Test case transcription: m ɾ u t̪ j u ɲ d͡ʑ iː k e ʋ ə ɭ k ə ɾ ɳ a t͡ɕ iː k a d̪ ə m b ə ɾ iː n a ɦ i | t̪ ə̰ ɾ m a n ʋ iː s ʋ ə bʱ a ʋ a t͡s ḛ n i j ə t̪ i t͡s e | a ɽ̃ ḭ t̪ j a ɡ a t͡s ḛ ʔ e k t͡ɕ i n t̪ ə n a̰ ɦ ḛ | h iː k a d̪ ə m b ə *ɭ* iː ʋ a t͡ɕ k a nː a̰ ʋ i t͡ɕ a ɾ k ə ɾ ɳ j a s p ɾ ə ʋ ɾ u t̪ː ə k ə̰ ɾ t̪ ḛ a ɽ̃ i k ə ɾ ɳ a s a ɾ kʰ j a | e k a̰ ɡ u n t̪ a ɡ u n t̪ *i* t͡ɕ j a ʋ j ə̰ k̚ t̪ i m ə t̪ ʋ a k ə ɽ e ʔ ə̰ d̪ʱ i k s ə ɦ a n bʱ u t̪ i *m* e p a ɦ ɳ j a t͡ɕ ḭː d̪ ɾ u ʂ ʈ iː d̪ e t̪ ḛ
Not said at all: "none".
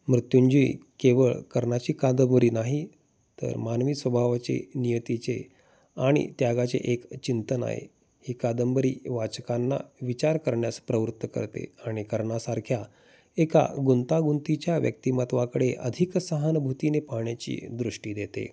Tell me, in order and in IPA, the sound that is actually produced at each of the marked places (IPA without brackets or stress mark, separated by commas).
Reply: ɾ, i, n